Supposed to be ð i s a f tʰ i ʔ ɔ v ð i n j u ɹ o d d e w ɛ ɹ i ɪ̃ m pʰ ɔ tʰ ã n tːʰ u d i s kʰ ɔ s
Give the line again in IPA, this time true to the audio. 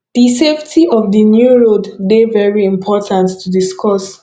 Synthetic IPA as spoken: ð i s e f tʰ i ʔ ɔ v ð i n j u ɹ o d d e v ɛ ɹ i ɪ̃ m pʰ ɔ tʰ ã n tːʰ u d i s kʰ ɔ s